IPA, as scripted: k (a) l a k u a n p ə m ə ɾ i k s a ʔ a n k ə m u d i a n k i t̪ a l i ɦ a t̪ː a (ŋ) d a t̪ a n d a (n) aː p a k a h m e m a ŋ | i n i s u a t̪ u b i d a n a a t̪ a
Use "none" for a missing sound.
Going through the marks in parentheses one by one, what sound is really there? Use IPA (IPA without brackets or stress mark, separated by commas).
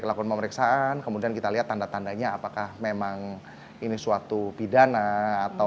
ə, n, ɲ